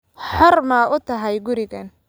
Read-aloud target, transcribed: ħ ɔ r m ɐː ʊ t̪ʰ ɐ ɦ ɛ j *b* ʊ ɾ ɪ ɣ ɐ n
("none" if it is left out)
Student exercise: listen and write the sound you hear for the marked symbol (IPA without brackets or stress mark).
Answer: ɡ